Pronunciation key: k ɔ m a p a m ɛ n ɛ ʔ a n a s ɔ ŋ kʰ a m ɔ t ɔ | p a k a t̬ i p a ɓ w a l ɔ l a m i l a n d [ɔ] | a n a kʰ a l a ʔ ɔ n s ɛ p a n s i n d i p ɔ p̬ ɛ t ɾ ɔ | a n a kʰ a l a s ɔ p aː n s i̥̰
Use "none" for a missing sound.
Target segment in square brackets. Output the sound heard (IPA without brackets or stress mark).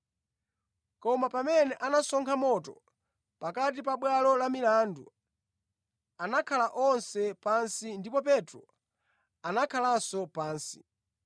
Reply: u